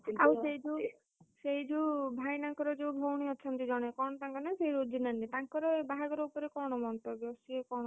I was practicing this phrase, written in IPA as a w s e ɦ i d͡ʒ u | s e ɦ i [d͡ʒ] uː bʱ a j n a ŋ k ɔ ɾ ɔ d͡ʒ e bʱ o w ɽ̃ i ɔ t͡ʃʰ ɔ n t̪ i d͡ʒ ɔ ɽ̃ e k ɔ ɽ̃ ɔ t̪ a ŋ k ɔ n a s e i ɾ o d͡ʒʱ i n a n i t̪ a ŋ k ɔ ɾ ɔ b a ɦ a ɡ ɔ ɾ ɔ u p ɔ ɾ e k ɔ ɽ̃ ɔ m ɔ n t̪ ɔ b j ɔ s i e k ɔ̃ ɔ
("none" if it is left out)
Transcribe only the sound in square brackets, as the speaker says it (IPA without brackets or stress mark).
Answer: d͡ʒ